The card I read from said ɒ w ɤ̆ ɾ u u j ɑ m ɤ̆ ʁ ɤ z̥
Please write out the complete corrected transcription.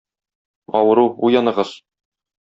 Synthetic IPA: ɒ w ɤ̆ ɾ u u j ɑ n ɤ̆ ʁ ɤ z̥